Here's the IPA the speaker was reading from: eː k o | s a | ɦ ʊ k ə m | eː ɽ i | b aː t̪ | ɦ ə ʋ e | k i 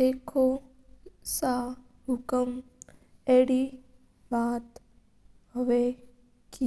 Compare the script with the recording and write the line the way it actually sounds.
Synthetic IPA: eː kʰ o | s a | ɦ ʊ k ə m | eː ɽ i | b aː t̪ | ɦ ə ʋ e | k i